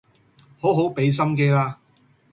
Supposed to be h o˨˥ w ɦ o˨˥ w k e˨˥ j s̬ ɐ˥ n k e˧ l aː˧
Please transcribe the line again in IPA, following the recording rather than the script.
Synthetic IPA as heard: h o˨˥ w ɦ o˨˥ w p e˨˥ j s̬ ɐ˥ m k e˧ l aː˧